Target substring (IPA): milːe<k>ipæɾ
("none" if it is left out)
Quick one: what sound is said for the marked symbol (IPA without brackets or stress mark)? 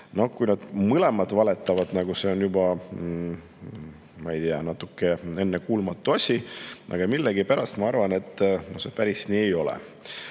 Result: ɡ